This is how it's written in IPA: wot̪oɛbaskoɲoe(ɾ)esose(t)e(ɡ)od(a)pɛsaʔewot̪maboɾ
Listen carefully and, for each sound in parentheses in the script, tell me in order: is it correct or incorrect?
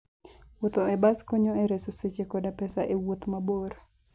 correct, incorrect: t͡ʃ, incorrect: k, correct

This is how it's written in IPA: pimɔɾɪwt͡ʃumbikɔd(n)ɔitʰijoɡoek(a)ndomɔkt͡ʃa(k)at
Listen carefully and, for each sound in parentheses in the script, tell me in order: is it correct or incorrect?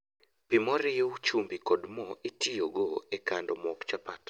incorrect: m, correct, incorrect: p

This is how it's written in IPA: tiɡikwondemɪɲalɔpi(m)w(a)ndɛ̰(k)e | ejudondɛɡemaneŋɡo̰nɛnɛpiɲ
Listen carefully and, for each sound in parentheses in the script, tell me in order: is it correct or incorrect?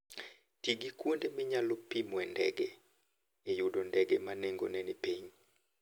correct, incorrect: ɛ, incorrect: ɡ

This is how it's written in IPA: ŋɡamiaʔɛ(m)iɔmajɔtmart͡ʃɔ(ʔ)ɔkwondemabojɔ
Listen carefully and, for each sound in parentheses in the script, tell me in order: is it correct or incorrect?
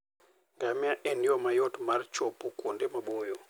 incorrect: n, incorrect: p

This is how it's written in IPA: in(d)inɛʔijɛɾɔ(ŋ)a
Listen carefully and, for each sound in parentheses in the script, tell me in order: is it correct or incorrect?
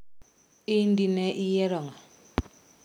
correct, correct

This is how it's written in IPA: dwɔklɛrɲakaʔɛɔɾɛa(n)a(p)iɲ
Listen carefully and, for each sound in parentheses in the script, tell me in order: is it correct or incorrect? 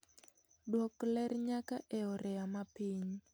incorrect: m, correct

